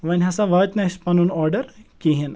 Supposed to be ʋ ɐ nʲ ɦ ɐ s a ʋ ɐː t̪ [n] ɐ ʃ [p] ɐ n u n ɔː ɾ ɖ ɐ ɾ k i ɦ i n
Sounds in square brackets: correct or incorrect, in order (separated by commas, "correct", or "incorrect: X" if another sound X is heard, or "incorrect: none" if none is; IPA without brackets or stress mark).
correct, correct